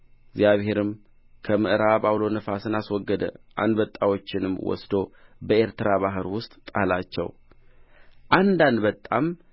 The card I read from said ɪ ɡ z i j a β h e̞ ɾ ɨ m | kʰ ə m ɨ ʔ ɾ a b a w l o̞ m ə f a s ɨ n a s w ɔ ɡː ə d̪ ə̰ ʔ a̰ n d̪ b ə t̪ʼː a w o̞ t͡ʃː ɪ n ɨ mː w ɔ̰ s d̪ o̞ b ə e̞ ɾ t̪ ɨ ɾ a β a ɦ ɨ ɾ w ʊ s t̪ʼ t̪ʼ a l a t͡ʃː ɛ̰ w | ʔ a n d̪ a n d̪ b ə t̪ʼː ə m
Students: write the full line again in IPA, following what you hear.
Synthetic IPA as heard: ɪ ɡ z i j a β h e̞ ɾ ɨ m | kʰ ə m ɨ ʔ ɾ a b a w l o̞ n ə f a s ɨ n a s w ɔ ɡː ə d̪ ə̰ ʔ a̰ n d̪ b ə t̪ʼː a w o̞ t͡ʃː ɪ n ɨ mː w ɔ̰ s d̪ o̞ b ə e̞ ɾ t̪ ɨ ɾ a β a ɦ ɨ ɾ w ʊ s t̪ʼ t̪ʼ a l a t͡ʃː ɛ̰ w | ʔ a n d̪ a n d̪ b ə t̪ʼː a m